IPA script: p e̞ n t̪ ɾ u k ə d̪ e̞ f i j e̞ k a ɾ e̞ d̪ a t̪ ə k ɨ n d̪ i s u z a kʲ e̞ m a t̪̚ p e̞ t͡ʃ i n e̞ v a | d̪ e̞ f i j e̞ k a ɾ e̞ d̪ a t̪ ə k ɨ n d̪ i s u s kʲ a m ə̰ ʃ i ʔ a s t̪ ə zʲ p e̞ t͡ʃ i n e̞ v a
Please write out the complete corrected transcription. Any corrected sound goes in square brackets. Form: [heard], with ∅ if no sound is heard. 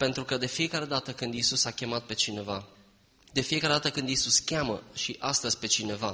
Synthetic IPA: p e̞ n t̪ ɾ u k ə d̪ e̞ f i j e̞ k a ɾ e̞ d̪ a t̪ ə k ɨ n d̪ i s u [s] a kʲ e̞ m a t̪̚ p e̞ t͡ʃ i n e̞ v a | d̪ e̞ f i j e̞ k a ɾ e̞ d̪ a t̪ ə k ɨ n d̪ i s u s kʲ a m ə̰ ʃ i ʔ a s t̪ ə zʲ p e̞ t͡ʃ i n e̞ v a